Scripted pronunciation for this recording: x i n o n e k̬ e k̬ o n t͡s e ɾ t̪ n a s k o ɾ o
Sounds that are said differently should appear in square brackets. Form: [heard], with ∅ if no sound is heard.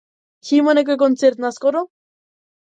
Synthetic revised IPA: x i [m] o n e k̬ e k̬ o n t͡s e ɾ t̪ n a s k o ɾ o